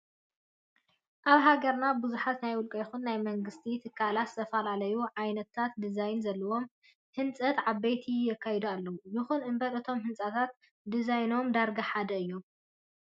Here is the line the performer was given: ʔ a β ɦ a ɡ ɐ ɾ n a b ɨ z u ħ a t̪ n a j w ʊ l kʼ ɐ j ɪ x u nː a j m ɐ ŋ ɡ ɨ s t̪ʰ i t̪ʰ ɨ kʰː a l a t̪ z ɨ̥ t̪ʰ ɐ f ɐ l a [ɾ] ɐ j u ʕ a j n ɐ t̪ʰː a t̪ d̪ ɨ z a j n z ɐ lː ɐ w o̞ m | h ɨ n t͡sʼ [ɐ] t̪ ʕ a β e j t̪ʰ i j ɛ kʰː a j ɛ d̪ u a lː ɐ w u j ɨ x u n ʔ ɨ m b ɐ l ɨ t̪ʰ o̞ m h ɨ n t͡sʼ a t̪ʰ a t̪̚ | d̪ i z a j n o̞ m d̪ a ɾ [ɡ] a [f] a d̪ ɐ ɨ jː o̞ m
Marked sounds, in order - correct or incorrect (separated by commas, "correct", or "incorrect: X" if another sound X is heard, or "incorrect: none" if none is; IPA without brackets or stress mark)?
incorrect: l, correct, correct, incorrect: ħ